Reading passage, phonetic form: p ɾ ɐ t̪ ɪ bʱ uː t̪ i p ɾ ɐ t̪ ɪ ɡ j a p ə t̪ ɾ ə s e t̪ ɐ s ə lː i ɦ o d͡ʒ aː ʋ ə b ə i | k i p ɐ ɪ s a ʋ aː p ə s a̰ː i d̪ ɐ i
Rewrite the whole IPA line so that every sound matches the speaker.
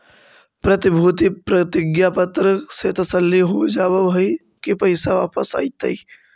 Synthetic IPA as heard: p ɾ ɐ t̪ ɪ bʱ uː t̪ i p ɾ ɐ t̪ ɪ ɡ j a p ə t̪ ɾ ə s e t̪ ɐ s ə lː i ɦ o d͡ʒ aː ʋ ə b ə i | k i p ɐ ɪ s a ʋ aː p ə s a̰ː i t̪ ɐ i